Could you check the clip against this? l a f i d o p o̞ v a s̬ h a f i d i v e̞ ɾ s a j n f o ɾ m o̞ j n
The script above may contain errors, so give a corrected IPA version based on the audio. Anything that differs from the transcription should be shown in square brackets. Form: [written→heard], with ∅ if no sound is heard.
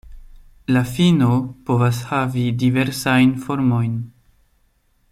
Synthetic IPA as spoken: l a f i [d→n] o p o̞ v a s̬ h a [f→v] i d i v e̞ ɾ s a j n f o ɾ m o̞ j n

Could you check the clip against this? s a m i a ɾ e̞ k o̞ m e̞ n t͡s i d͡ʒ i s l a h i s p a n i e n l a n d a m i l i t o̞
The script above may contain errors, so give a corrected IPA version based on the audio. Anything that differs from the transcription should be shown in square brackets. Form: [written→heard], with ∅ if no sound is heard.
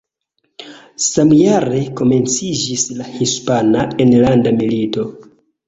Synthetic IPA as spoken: s a m [i→j] a ɾ e̞ k o̞ m e̞ n t͡s i d͡ʒ i s l a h i s p a n [i→a] e n l a n d a m i l i t o̞

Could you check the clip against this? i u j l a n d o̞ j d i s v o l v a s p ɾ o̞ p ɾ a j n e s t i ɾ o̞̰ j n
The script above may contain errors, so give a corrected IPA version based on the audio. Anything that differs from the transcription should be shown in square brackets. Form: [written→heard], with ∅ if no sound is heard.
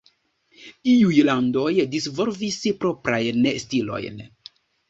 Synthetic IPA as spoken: i u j l a n d o̞ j d i s v o l v [a→i] s p ɾ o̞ p ɾ a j n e s t i [ɾ→l] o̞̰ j n

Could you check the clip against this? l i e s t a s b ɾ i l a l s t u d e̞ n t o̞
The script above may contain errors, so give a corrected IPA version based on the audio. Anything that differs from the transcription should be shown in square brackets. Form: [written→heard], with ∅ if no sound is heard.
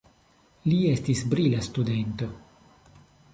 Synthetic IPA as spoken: l i e s t [a→i] s b ɾ i l a [l→∅] s t u d e̞ n t o̞

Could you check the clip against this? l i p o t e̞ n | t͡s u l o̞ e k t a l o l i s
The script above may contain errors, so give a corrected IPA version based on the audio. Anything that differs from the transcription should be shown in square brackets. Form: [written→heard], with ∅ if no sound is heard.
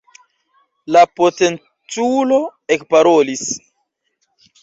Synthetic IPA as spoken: l [i→a] p o t e̞ n | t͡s u l o̞ e k [t→p] a [l→ɾ] o l i s

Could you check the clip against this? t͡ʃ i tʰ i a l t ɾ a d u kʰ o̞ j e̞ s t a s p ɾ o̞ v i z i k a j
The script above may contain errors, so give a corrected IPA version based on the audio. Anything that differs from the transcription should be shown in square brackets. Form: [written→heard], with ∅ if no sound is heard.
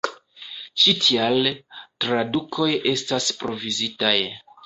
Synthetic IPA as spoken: t͡ʃ i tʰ i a l t ɾ a d u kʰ o̞ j e̞ s t a s p ɾ o̞ v i z i [k→t] a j

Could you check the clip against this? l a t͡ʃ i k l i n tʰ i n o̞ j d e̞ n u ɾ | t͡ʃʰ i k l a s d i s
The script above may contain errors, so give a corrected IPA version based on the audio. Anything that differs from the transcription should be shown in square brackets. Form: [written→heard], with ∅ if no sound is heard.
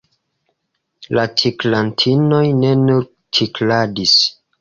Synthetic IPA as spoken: l a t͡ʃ i k l [i→a] n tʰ i n o̞ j [d→n] e̞ n u ɾ | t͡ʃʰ i k l a [s→∅] d i s

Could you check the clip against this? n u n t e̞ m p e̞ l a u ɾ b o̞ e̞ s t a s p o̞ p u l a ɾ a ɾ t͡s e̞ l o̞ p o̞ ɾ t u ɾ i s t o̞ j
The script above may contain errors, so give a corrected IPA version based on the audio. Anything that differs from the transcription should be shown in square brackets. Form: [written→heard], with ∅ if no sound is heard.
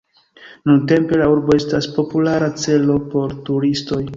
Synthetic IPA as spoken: n u n t e̞ m p e̞ l a u ɾ b o̞ e̞ s t a s p o̞ p u l a ɾ a [ɾ→∅] t͡s e̞ l o̞ p o̞ ɾ t u ɾ i s t o̞ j

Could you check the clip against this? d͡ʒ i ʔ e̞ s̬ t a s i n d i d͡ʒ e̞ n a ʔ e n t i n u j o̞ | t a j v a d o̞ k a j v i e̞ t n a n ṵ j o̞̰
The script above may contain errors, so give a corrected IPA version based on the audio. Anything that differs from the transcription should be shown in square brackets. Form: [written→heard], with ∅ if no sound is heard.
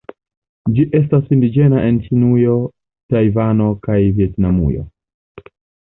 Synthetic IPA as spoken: d͡ʒ i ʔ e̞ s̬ t a s i n d i d͡ʒ e̞ n a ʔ e n [t→t͡ʃ] i n u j o̞ | t a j v a [d→n] o̞ k a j v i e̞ t n a [n→m] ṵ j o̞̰

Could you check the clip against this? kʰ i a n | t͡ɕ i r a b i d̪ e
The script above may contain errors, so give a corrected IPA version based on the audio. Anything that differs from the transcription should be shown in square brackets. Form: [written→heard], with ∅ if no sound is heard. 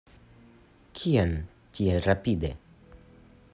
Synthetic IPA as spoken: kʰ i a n | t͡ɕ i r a [b→p] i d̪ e

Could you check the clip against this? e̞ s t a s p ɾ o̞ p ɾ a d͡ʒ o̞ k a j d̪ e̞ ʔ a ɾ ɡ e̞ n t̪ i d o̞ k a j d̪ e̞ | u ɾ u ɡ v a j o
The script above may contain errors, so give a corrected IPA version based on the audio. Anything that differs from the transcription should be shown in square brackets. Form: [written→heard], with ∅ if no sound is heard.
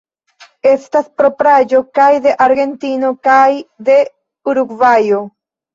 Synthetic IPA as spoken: e̞ s t a s p ɾ o̞ p ɾ a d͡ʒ o̞ k a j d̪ e̞ ʔ a ɾ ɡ e̞ n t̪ i [d→n] o̞ k a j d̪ e̞ | u ɾ u ɡ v a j o

